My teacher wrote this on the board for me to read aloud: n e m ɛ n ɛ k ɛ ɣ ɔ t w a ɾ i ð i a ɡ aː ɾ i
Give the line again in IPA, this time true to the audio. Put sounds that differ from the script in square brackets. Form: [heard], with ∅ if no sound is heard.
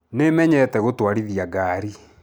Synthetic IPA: n e m ɛ [ɲ] ɛ [t] ɛ ɣ [o] t w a ɾ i ð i a ɡ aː ɾ i

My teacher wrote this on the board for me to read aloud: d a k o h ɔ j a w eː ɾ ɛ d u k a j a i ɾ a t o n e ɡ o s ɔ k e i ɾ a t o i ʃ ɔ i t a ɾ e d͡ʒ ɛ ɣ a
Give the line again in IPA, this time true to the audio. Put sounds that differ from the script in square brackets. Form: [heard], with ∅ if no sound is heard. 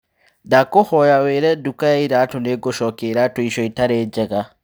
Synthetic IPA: d a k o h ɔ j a w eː ɾ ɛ d u k a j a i ɾ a t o n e ɡ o [ʃ] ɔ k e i ɾ a t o i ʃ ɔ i t a ɾ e d͡ʒ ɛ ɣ a

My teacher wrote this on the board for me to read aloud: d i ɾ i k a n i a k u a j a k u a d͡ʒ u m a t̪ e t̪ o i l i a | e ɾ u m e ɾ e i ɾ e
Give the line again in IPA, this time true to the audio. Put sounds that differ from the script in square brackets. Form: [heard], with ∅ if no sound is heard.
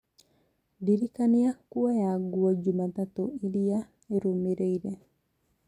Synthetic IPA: d i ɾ i k a n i a k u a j a [ɡ] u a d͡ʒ u m a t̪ [a] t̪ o i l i a | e ɾ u m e ɾ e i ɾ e

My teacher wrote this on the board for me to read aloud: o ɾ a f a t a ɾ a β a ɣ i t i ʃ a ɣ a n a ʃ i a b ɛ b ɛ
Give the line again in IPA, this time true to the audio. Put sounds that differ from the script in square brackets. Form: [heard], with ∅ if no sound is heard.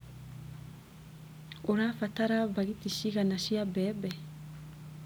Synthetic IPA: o ɾ a f a t a ɾ a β a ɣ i t i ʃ [i] ɣ a n a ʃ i a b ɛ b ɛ

